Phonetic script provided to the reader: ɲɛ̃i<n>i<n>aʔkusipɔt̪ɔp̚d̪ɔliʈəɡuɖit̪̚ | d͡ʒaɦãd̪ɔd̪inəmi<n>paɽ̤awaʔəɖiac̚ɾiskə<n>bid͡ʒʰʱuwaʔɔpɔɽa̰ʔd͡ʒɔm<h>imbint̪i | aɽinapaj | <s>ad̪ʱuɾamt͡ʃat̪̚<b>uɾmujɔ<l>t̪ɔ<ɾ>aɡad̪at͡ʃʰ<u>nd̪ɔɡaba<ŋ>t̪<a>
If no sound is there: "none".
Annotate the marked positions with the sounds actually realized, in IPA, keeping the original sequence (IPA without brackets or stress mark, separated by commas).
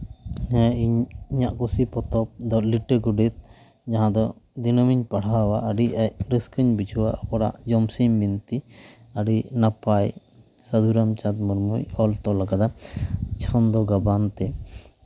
ɲ, ɲ, ɲ, ɲ, s, s, m, l, l, ɔ, n, ɛ